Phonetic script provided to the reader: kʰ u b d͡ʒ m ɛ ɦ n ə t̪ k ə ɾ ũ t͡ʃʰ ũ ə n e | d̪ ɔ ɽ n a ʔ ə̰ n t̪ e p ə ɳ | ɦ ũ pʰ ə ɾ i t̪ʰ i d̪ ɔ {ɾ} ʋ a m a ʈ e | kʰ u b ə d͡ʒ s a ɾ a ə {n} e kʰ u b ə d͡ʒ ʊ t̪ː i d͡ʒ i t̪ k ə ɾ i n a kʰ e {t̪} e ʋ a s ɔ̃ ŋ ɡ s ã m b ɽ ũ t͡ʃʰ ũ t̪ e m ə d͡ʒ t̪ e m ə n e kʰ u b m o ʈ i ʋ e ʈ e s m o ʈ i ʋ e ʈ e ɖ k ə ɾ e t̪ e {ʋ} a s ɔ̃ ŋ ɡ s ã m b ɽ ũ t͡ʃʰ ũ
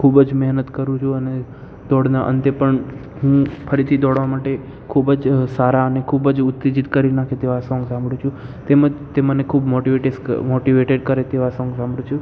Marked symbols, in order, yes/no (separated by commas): no, yes, yes, yes